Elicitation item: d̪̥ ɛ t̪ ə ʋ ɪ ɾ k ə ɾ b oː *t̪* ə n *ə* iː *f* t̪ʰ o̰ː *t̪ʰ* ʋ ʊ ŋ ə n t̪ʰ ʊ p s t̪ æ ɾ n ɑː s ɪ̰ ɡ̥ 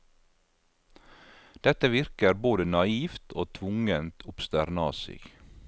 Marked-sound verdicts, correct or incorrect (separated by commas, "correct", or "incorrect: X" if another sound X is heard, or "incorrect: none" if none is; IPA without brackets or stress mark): incorrect: d̪, incorrect: ɑ, correct, correct